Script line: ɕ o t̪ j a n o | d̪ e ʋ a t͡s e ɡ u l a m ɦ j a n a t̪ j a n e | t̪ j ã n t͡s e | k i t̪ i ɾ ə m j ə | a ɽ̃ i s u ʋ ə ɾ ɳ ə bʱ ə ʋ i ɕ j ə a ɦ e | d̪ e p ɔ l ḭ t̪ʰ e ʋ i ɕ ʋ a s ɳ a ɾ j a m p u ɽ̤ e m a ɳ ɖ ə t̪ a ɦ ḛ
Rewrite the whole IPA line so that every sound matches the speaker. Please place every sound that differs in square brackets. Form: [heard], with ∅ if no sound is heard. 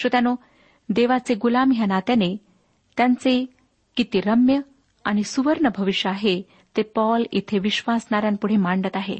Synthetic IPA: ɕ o t̪ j a n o | d̪ e ʋ a t͡s e ɡ u l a m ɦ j a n a t̪ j a n e | t̪ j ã n t͡s e | k i t̪ i ɾ ə m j ə | a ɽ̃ i s u ʋ ə ɾ ɳ ə bʱ ə ʋ i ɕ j ə a ɦ e | [t̪] e p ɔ l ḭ t̪ʰ e ʋ i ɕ ʋ a s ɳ a ɾ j a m p u ɽ̤ e m a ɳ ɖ ə t̪ a ɦ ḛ